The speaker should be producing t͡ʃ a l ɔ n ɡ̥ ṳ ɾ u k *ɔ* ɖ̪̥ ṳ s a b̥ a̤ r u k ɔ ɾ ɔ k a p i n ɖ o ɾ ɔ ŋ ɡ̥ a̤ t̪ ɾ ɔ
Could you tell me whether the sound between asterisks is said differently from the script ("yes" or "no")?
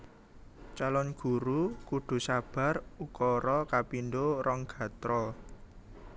yes